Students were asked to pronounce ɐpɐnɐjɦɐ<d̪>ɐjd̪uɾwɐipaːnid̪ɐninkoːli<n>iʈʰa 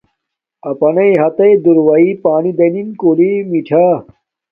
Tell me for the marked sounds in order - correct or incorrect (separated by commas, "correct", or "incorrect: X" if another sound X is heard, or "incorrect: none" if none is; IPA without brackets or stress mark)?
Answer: incorrect: t̪, incorrect: m